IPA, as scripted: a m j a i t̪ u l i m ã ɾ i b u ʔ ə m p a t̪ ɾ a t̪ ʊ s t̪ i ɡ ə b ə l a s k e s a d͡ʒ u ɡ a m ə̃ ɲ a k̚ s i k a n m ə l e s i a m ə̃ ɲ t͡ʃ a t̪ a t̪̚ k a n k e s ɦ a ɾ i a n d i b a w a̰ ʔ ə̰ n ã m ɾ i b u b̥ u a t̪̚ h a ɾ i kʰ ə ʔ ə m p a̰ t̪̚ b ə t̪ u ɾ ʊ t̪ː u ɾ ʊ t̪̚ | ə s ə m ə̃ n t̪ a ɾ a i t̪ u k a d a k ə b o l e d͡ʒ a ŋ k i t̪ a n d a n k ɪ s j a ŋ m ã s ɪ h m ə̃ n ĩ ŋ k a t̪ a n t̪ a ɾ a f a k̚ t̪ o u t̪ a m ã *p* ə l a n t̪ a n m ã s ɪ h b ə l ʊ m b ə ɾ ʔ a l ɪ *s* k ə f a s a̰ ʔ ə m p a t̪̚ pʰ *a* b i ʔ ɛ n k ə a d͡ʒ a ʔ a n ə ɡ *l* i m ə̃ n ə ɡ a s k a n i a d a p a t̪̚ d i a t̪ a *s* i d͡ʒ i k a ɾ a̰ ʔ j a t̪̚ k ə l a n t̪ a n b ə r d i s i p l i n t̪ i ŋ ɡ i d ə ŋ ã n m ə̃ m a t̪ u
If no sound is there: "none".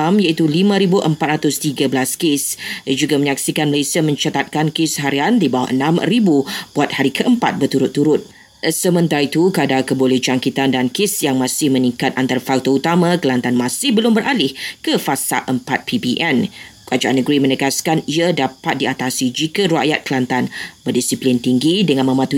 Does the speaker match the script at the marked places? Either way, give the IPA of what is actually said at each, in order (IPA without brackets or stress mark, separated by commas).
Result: k, h, i, ɾ, s